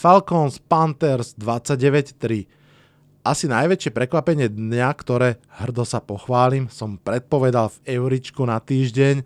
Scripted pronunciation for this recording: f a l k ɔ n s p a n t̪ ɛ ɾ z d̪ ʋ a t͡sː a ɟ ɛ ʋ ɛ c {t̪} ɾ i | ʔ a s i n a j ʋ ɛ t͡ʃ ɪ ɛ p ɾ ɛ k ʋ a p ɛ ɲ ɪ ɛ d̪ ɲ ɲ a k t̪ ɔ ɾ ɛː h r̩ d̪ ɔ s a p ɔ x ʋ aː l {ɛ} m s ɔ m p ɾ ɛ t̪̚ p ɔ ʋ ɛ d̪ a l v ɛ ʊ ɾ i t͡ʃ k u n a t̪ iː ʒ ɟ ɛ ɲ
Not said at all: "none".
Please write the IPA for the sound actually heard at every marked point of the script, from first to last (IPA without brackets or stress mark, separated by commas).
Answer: t̪, i